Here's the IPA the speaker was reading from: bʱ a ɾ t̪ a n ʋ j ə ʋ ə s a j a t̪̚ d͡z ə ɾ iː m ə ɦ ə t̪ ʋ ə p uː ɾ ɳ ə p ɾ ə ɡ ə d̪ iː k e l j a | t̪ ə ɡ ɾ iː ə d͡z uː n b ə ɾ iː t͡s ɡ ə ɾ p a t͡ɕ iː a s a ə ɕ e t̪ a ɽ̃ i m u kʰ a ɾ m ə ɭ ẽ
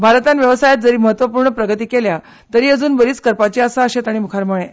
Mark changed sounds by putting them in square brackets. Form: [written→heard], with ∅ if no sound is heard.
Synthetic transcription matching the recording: bʱ a ɾ t̪ a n ʋ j ə ʋ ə s a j a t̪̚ d͡z ə ɾ iː m ə ɦ ə t̪ ʋ ə p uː ɾ ɳ ə p ɾ ə ɡ ə [d̪→t̪] iː k e l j a | t̪ ə [ɡ→∅] ɾ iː ə d͡z uː n b ə ɾ iː t͡s [ɡ→k] ə ɾ p a t͡ɕ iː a s a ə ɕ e t̪ a ɽ̃ i m u kʰ a ɾ m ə ɭ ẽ

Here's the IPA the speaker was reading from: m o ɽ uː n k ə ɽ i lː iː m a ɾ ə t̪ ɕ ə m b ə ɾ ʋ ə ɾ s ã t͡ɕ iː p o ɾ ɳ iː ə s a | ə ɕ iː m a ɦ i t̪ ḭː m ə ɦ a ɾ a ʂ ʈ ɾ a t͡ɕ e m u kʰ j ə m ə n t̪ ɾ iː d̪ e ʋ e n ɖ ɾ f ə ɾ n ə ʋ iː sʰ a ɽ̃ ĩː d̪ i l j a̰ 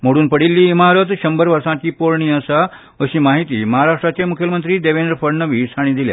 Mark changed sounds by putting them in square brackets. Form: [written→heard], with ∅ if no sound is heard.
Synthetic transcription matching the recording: m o ɽ uː n [k→p] ə ɽ i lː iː m a ɾ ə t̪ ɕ ə m b ə ɾ ʋ ə ɾ s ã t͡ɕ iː p o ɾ ɳ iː ə s a | ə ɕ iː m a ɦ i t̪ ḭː m ə ɦ a ɾ a ʂ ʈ ɾ a t͡ɕ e m u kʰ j ə m ə n t̪ ɾ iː d̪ e ʋ e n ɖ ɾ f ə ɾ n ə ʋ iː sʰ a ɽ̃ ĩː d̪ i l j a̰

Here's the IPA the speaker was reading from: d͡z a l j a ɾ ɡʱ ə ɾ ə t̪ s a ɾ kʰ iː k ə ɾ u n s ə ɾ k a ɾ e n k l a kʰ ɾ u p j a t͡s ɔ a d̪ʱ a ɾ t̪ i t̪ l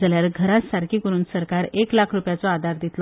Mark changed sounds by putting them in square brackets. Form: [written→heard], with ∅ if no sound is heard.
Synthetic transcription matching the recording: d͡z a l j a ɾ ɡʱ ə ɾ [ə→a] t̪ s a ɾ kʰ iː k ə ɾ [u→uː] n s ə ɾ k a ɾ e [n→∅] k l a kʰ ɾ u p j a t͡s ɔ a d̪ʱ a ɾ [t̪→d̪] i t̪ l

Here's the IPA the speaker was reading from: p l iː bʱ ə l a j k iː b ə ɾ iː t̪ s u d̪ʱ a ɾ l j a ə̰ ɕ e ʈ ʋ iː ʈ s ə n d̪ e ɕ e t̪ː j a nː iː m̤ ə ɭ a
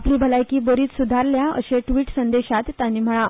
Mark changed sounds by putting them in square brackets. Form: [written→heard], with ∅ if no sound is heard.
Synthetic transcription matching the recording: p l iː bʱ ə l a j k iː b ə ɾ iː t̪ s u d̪ʱ a ɾ l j a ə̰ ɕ e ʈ ʋ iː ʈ s ə n d̪ e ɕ [e→a] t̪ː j a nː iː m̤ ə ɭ a

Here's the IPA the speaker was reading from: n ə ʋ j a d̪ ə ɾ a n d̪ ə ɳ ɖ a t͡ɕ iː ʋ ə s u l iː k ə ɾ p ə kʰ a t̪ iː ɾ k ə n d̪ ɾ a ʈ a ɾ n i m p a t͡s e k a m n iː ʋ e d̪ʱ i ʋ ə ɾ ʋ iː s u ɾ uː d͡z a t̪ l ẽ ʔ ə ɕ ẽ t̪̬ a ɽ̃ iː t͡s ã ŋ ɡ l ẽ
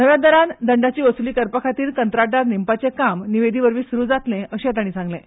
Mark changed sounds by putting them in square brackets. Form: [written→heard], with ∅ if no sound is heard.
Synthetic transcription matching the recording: n ə ʋ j a d̪ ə ɾ a n d̪ ə ɳ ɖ a t͡ɕ iː ʋ ə s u l iː k ə ɾ p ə kʰ a t̪ iː ɾ k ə n [d̪→t̪] ɾ a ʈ a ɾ n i m p a t͡s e k a m n [iː→i] ʋ e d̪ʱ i ʋ ə ɾ ʋ iː s u ɾ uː d͡z a t̪ l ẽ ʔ ə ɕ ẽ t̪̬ a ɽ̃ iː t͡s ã ŋ ɡ l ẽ

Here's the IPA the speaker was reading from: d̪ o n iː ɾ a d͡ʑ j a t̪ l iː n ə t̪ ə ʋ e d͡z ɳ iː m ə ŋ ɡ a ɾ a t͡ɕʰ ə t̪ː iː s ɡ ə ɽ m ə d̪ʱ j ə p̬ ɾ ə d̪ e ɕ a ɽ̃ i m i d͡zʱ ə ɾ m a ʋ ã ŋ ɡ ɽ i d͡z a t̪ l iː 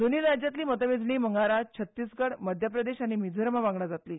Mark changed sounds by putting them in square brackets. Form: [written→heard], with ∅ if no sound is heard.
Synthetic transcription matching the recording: d̪ o n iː ɾ a d͡ʑ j a t̪ l iː [n→m] ə t̪ ə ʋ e d͡z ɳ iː m ə ŋ ɡ a ɾ a t͡ɕʰ ə t̪ː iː s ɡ ə ɽ m ə d̪ʱ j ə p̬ ɾ ə d̪ e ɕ a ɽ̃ i m i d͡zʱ ə ɾ m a ʋ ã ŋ ɡ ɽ [i→a] d͡z a t̪ l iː

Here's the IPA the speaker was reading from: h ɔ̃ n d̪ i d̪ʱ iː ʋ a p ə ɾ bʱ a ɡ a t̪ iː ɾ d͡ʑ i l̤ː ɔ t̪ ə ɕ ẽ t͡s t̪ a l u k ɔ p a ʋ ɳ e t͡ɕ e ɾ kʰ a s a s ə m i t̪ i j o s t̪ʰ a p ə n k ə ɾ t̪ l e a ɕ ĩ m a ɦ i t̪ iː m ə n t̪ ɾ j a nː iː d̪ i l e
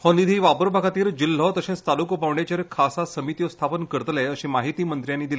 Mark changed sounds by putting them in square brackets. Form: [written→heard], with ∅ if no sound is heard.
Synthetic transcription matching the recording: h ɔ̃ n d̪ i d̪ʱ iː ʋ a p ə ɾ bʱ a ɡ a t̪ iː ɾ d͡ʑ i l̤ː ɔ t̪ ə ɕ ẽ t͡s t̪ a l u k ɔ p a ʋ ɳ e t͡ɕ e ɾ kʰ a s a s ə m i t̪ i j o s t̪ʰ a p ə n k ə ɾ t̪ l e [a→ə] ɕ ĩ m a ɦ i t̪ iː m ə n t̪ ɾ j a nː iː d̪ i l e

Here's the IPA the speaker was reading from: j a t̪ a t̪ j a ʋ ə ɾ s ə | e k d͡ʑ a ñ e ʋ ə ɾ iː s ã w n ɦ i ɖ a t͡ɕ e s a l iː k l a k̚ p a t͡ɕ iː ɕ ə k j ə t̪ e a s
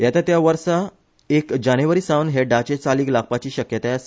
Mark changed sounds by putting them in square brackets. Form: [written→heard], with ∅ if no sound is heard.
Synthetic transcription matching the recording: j a t̪ a t̪ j a ʋ ə ɾ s [ə→a] | e k d͡ʑ a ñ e ʋ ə ɾ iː s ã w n ɦ [i→e] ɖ a t͡ɕ e [s→t͡s] a l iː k l a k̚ p a t͡ɕ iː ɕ ə k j ə t̪ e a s

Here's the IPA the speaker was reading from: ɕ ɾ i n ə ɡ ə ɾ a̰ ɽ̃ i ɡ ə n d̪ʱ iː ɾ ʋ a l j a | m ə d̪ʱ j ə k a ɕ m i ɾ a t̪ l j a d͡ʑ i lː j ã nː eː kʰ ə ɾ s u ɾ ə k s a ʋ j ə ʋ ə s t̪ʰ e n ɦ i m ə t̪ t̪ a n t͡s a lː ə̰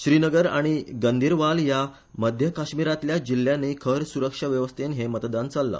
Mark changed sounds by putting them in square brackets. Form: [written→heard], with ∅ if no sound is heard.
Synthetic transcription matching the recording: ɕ ɾ i n ə ɡ ə ɾ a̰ ɽ̃ i ɡ ə n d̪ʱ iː ɾ ʋ a l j a | m ə d̪ʱ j ə k a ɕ m i ɾ a t̪ l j a d͡ʑ i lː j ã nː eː kʰ ə ɾ s u ɾ ə k [s→ʂ] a ʋ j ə ʋ ə s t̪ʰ e n ɦ [i→e] m ə t̪ [t̪→d̪] a n t͡s a lː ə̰

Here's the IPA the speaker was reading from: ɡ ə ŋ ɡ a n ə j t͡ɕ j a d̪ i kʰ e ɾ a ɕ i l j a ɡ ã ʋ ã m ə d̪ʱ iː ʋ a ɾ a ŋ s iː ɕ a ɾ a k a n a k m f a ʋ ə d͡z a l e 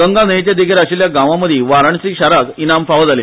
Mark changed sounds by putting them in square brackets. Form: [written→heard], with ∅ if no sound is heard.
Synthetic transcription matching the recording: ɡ ə ŋ ɡ a n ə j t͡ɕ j a d̪ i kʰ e ɾ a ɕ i l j a ɡ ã ʋ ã m ə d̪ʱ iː ʋ a ɾ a [ŋ→ɳ] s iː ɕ a ɾ a k [a→i] n a [k→∅] m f a ʋ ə d͡z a l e

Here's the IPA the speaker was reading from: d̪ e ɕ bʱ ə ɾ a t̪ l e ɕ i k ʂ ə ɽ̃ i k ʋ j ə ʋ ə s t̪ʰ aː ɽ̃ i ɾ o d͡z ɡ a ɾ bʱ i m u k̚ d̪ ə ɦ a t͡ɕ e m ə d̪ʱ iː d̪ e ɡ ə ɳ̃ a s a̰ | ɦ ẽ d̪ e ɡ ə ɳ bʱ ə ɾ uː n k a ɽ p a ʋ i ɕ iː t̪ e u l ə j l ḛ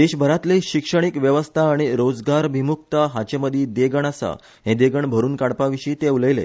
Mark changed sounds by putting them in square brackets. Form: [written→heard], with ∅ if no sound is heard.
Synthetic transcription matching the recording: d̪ e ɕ bʱ ə ɾ a t̪ l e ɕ i k ʂ ə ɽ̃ i k ʋ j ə ʋ ə s t̪ʰ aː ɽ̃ i ɾ o d͡z ɡ a ɾ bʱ i m u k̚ [d̪→t̪] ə ɦ a t͡ɕ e m ə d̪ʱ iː d̪ e ɡ ə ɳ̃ a s a̰ | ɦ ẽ d̪ e ɡ ə ɳ bʱ ə ɾ uː n k a ɽ p a ʋ i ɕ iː t̪ e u l ə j l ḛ

